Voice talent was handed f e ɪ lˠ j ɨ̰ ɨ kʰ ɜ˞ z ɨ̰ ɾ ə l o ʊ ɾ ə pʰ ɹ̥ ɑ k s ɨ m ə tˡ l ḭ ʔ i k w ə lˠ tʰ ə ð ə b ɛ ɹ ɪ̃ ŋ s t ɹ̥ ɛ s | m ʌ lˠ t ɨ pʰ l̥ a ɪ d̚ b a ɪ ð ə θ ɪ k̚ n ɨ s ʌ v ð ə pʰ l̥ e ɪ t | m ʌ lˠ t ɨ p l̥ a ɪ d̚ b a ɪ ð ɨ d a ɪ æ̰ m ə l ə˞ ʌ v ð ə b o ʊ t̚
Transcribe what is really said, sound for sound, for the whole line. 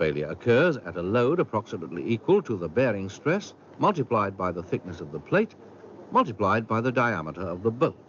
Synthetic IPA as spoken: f e ɪ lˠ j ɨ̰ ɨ kʰ ɜ˞ z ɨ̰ ɾ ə l o ʊ ɾ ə pʰ ɹ̥ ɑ k s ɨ m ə tˡ l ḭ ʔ i k w ə lˠ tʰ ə ð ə b ɛ ɹ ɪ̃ ŋ s t ɹ̥ ɛ s | m ʌ lˠ t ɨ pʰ l̥ a ɪ d̚ b a ɪ ð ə θ ɪ k̚ n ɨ s ʌ v ð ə pʰ l̥ e ɪ t | m ʌ lˠ t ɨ p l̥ a ɪ d̚ b a ɪ ð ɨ d a ɪ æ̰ m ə ɾ ə˞ ʌ v ð ə b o ʊ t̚